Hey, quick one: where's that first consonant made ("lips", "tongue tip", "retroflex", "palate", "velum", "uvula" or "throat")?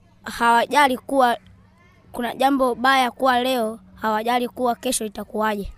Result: throat